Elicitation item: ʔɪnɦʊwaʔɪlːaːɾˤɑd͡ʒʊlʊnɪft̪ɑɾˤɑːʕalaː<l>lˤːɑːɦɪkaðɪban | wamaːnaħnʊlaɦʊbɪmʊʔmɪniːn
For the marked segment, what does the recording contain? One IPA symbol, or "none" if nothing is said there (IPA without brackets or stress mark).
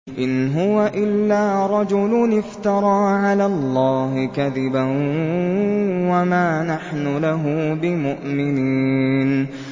l